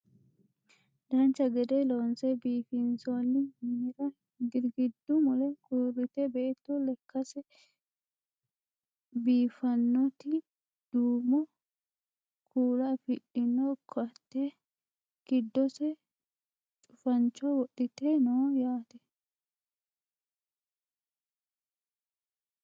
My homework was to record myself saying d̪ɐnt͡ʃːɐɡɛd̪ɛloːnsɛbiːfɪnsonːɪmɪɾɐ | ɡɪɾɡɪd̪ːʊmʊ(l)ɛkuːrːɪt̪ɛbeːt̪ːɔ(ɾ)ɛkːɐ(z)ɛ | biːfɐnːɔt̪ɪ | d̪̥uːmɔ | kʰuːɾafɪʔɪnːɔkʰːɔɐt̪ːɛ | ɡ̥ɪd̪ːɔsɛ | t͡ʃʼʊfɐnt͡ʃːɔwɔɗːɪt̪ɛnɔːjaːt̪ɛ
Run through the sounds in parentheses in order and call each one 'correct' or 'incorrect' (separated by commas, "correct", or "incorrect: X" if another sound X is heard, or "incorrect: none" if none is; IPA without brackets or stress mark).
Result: correct, incorrect: l, incorrect: s